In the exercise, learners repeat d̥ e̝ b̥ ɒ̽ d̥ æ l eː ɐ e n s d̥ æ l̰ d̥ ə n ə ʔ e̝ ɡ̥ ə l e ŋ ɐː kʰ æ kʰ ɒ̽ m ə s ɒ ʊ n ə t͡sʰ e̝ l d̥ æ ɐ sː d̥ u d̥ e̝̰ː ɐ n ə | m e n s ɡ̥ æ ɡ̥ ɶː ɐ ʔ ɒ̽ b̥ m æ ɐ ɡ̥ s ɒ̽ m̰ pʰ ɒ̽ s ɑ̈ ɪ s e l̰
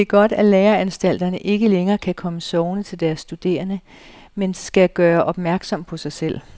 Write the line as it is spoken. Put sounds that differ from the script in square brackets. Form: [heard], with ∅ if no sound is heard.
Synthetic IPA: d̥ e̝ [ɡ̥] ɒ̽ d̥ æ l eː ɐ [æ] n s d̥ æ l̰ d̥ [ɐ] n ə ʔ e̝ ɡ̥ ə l e ŋ ɐː kʰ æ kʰ ɒ̽ m ə s ɒ ʊ n ə t͡sʰ e̝ l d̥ æ ɐ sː d̥ u d̥ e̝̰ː ɐ n ə | m e n s ɡ̥ æ ɡ̥ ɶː ɐ ʔ ɒ̽ b̥ m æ ɐ ɡ̥ s ɒ̽ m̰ pʰ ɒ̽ s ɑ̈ ɪ s e l̰